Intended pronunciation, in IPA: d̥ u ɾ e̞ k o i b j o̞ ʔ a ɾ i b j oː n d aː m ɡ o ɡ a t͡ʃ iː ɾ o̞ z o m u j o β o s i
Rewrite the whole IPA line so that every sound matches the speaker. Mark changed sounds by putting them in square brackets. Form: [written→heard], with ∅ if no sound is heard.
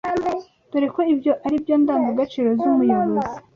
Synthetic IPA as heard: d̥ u ɾ e̞ k o i b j o̞ ʔ a ɾ i b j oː n d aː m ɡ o ɡ a t͡ʃ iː ɾ o̞ z [o→u] m u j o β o [s→z] i

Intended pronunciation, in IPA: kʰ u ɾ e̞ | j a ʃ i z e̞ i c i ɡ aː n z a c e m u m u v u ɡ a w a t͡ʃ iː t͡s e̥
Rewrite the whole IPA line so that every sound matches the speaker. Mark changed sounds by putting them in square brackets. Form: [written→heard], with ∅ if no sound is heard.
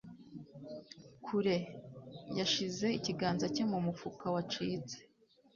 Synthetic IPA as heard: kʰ u ɾ e̞ | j a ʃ i z e̞ i c i ɡ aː n z a c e m u m u [v→f] u [ɡ→k] a w a t͡ʃ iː t͡s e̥

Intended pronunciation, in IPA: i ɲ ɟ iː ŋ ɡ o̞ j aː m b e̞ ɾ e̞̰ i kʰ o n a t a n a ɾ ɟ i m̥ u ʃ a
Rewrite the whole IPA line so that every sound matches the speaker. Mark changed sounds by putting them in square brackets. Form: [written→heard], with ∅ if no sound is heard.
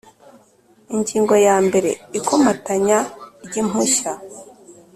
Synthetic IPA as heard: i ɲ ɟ iː ŋ ɡ o̞ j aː m b e̞ ɾ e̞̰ i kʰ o [n→m] a t a [n→ɲ] a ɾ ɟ i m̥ u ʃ a

